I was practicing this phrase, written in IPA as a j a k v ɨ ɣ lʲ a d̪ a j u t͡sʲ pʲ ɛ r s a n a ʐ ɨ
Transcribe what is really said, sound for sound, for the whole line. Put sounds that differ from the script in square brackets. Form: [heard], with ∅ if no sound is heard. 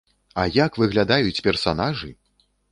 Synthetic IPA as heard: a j a k v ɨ ɣ lʲ a d̪ a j u t͡sʲ pʲ ɛ r s a n a ʐ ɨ